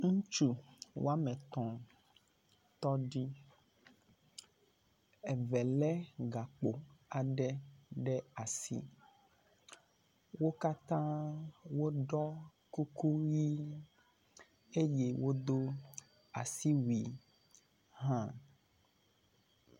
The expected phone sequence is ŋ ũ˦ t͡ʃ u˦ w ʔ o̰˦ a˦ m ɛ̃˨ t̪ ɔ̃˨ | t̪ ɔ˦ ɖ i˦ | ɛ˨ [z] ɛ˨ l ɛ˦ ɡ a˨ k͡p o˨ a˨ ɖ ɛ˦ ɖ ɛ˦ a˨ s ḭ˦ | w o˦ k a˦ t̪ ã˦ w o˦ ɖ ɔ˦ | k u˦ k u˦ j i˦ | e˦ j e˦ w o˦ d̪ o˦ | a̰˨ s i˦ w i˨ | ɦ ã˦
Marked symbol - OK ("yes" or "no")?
no